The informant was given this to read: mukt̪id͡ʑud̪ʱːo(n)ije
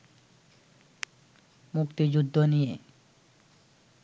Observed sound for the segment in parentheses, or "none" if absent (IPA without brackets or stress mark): n